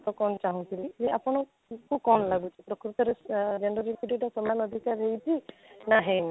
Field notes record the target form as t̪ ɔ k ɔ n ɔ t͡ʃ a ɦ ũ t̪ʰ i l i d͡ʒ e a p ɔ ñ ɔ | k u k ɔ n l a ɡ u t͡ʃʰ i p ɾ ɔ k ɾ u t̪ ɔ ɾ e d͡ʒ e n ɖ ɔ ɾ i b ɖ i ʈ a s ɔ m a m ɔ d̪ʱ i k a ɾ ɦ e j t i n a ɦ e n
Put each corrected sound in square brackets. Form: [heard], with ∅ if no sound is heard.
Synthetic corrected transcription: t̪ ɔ k ɔ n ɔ t͡ʃ a ɦ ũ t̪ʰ i l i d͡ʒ e a p ɔ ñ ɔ | k u k ɔ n l a ɡ u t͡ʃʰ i p ɾ ɔ k ɾ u t̪ ɔ ɾ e d͡ʒ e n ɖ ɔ ɾ i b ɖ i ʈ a s ɔ m a [n] ɔ d̪ʱ i k a ɾ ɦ e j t i n a ɦ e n